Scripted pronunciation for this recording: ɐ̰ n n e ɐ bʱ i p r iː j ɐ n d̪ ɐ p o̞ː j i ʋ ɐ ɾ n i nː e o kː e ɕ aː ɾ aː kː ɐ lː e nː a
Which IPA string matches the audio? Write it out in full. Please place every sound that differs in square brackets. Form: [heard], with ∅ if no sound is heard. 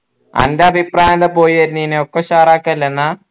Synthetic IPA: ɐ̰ n [d] e ɐ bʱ i p r [aː] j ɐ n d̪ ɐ p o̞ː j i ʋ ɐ ɾ n i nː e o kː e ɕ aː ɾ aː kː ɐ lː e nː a